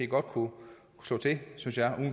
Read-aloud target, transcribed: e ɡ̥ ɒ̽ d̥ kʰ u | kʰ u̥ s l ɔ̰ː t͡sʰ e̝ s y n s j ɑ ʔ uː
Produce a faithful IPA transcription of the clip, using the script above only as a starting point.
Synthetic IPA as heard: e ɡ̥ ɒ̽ d̥ kʰ u | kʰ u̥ s l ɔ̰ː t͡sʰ e̝ s y n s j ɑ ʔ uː